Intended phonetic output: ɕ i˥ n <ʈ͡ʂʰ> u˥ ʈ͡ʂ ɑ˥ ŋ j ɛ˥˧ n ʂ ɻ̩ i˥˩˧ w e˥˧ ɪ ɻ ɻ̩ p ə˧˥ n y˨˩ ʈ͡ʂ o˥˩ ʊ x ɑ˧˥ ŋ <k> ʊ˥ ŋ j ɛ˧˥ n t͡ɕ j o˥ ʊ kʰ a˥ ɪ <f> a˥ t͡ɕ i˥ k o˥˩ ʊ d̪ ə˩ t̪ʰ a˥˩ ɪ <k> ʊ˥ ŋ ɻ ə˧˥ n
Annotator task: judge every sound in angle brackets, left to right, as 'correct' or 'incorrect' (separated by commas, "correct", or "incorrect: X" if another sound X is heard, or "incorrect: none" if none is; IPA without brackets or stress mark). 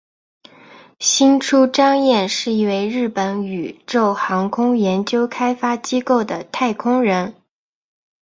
correct, incorrect: kʰ, correct, incorrect: kʰ